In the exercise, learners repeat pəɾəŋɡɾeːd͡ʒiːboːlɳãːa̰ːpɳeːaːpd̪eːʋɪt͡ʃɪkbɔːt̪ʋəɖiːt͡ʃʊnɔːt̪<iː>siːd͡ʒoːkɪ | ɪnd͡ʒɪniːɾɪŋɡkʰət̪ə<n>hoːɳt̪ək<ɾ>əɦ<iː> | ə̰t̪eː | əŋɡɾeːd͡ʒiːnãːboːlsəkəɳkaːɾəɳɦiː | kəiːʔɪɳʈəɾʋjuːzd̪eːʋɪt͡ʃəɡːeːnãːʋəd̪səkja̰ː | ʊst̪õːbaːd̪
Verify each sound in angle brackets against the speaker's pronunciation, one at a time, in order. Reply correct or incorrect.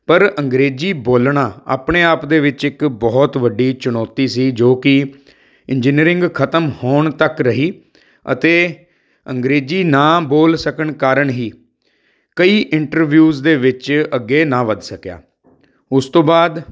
correct, incorrect, correct, correct

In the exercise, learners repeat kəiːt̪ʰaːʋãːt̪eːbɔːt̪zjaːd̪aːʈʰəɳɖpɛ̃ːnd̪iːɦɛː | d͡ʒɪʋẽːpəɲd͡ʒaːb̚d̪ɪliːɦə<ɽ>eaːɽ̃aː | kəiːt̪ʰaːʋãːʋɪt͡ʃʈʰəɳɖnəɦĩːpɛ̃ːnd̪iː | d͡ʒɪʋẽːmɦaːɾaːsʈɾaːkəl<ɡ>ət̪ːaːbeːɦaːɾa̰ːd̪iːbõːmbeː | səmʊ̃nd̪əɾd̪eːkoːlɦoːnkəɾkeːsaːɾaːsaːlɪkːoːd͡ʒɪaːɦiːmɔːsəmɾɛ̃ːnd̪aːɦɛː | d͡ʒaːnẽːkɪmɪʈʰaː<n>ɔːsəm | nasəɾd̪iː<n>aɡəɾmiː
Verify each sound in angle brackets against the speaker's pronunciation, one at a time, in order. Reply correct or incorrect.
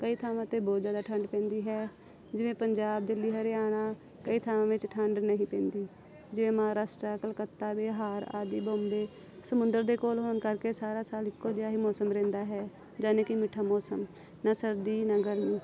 incorrect, incorrect, incorrect, correct

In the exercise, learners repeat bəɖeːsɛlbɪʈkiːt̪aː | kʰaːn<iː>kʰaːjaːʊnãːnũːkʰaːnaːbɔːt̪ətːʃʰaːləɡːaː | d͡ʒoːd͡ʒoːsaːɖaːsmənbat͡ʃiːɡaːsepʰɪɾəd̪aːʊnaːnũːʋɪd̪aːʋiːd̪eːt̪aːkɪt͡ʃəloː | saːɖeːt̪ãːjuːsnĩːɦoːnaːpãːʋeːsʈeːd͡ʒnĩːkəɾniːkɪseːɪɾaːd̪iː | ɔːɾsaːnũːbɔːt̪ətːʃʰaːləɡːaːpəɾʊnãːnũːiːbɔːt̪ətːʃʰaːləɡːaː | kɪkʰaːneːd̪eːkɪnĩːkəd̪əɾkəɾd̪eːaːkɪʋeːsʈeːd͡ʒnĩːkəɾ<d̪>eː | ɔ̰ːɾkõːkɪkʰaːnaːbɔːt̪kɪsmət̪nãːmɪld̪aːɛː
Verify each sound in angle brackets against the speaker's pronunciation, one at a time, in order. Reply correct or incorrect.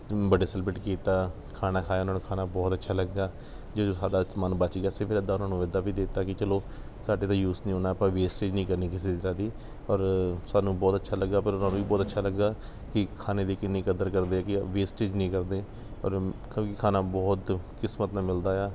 incorrect, correct

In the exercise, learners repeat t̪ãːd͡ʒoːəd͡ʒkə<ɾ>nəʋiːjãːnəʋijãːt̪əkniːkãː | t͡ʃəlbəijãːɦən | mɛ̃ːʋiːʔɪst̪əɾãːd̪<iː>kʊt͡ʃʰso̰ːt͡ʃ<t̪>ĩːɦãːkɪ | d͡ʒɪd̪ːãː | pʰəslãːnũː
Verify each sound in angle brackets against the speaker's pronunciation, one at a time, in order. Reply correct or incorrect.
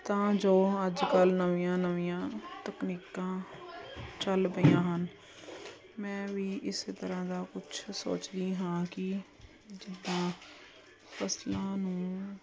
incorrect, incorrect, incorrect

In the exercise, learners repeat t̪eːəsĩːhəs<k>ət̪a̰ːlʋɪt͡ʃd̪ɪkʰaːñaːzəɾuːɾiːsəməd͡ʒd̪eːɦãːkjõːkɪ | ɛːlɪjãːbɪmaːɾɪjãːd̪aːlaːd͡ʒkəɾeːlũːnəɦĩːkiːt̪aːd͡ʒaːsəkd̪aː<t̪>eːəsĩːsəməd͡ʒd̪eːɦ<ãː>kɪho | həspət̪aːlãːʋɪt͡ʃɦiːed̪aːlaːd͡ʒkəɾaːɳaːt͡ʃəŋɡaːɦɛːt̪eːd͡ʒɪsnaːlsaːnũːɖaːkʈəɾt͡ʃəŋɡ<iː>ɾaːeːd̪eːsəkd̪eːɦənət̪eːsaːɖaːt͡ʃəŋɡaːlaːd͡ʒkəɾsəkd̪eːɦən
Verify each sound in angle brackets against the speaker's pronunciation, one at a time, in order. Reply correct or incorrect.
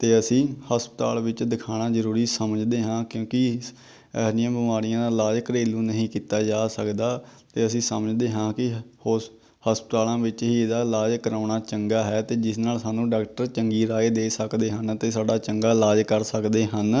incorrect, correct, correct, correct

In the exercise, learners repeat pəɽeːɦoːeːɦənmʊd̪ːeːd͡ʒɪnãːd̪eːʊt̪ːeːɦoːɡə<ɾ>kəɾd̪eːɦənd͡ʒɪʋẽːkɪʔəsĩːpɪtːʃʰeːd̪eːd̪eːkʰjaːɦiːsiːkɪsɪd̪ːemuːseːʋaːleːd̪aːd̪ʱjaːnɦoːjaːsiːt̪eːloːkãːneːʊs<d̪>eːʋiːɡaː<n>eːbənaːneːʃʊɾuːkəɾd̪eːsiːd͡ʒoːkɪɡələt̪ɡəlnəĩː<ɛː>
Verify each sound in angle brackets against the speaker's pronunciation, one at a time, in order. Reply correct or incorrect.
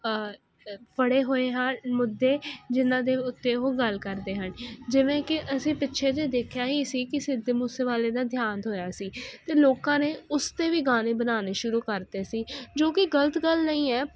incorrect, incorrect, correct, correct

